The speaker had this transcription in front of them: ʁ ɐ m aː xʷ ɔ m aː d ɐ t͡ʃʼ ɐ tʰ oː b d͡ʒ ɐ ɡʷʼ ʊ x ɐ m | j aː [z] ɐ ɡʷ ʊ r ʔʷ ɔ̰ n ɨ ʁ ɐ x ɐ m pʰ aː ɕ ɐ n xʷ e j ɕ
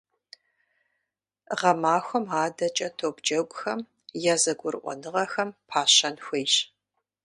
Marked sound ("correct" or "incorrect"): correct